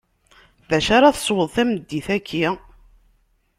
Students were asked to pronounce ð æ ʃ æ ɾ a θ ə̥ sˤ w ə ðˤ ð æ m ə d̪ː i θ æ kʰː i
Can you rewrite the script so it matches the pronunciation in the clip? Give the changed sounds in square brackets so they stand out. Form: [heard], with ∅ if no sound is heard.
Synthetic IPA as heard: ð æ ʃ [a] ɾ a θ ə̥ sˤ w ə ðˤ [θ] æ m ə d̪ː i θ æ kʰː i